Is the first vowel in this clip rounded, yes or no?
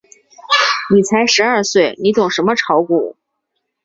no